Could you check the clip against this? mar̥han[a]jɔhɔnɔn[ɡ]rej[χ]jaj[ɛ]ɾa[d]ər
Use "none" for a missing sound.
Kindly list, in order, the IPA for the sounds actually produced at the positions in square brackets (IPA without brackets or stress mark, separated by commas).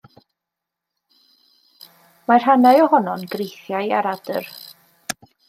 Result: a, ɡ, θ, a, d